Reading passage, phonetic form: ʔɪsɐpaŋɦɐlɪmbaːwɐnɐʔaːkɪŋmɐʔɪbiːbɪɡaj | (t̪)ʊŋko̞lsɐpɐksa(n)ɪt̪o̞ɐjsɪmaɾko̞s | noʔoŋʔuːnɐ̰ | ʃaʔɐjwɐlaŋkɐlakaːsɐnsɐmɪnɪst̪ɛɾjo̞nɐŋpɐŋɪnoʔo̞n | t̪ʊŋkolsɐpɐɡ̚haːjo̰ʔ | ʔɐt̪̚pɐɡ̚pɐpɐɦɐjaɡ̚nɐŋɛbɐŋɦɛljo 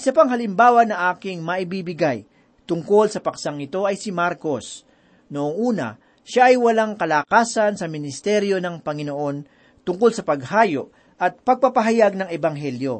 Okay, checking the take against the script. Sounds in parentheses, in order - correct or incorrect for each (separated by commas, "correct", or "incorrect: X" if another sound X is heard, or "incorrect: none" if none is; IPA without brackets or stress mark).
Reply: correct, incorrect: ŋ